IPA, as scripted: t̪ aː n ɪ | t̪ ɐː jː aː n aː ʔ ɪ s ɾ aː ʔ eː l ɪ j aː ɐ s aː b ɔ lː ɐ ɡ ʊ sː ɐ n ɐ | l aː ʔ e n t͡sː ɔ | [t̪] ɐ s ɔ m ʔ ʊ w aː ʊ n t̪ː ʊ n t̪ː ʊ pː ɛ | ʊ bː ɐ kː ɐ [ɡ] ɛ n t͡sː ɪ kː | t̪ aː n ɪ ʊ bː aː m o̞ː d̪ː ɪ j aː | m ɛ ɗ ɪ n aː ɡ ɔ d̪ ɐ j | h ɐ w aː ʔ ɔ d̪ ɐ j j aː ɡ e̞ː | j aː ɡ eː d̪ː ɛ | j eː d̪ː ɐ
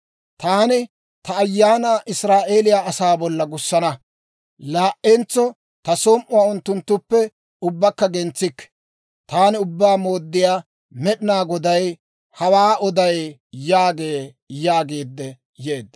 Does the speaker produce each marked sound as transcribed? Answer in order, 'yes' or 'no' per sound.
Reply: yes, yes

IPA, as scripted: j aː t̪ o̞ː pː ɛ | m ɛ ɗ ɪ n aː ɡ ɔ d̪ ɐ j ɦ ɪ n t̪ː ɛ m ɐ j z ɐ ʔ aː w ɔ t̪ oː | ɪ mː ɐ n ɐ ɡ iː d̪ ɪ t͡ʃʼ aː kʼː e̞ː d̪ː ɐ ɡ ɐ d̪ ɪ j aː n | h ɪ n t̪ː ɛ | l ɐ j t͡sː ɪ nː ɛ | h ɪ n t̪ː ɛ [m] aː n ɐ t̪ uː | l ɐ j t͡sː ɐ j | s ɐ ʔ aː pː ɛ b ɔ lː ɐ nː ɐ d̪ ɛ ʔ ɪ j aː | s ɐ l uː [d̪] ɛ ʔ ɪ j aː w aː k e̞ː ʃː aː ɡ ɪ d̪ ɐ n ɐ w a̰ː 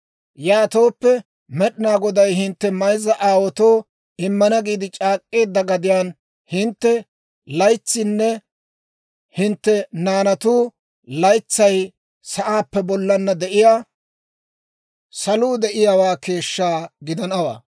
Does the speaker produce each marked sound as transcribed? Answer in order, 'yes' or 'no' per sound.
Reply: no, yes

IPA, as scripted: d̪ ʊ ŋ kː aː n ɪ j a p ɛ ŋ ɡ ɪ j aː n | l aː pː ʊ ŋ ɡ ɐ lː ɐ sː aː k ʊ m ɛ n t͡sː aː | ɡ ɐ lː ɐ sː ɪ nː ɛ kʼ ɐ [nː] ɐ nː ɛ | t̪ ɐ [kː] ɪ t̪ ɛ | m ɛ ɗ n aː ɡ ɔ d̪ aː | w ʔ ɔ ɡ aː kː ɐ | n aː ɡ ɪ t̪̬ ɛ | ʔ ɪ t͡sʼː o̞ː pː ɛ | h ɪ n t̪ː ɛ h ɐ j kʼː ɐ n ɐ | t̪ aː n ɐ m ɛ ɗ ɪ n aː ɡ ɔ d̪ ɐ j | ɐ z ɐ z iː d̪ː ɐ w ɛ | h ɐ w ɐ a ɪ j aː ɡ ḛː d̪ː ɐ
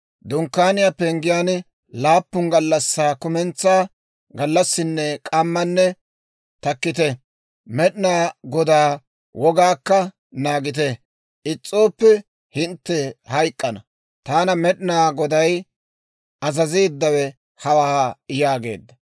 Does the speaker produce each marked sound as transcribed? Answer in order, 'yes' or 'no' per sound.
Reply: no, yes

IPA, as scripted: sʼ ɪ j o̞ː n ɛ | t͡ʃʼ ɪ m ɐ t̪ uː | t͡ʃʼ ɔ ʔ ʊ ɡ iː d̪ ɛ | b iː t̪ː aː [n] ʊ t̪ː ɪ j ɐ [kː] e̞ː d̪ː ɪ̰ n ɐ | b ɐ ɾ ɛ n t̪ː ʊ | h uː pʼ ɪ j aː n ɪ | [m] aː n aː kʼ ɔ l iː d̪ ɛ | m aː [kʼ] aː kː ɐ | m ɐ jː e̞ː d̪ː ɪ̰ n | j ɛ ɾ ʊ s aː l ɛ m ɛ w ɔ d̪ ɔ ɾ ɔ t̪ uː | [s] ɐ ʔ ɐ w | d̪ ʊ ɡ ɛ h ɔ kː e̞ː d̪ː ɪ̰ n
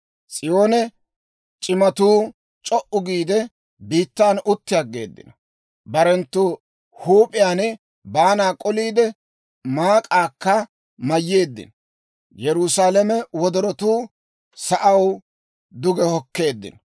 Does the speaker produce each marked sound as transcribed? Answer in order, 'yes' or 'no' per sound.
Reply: yes, no, no, yes, yes

